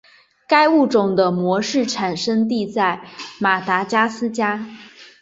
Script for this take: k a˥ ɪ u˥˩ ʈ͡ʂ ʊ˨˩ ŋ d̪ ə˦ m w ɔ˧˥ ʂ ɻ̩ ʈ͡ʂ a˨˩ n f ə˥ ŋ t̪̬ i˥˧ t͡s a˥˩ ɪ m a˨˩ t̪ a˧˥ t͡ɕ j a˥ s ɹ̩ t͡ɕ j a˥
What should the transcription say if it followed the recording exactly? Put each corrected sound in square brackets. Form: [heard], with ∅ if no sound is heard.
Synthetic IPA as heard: k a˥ ɪ u˥˩ ʈ͡ʂ ʊ˨˩ ŋ d̪ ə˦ m w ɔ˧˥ ʂ ɻ̩ [ʈ͡ʂʰ] a˨˩ n [ʂ] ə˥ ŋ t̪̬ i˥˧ t͡s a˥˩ ɪ m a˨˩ t̪ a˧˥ t͡ɕ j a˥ s ɹ̩ t͡ɕ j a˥